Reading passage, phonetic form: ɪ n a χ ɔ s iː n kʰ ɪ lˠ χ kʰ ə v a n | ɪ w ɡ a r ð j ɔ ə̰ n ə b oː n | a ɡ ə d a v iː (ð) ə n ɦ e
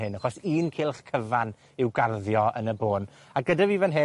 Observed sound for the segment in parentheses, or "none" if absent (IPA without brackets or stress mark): v